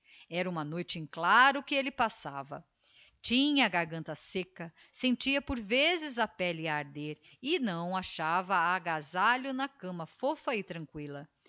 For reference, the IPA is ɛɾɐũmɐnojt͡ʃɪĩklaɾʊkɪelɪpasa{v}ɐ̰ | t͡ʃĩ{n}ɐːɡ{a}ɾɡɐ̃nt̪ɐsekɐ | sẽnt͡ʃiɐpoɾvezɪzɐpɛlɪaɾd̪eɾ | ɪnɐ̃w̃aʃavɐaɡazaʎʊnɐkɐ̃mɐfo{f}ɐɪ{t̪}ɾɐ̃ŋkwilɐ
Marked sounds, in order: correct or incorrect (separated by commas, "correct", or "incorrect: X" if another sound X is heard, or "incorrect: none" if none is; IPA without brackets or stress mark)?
correct, incorrect: ɲ, correct, correct, correct